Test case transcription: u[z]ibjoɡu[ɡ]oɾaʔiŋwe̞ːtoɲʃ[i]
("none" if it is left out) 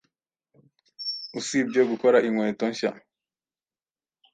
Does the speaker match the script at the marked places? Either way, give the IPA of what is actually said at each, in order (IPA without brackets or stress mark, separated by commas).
s, k, a